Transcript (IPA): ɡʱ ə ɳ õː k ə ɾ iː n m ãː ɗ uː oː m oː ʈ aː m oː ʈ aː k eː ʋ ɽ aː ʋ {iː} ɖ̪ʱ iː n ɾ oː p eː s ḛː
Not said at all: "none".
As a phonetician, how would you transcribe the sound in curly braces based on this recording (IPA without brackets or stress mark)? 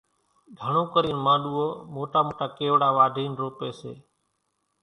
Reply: aː